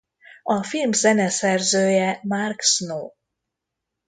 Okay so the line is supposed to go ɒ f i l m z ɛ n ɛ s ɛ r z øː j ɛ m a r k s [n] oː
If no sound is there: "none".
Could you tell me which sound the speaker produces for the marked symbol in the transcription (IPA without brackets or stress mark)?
n